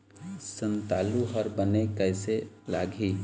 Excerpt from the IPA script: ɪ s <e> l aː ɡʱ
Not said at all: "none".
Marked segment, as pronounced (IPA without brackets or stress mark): e